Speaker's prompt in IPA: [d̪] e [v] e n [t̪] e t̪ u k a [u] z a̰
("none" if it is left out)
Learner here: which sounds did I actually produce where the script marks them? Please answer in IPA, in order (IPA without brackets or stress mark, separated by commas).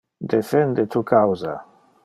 d̪, f, d̪, w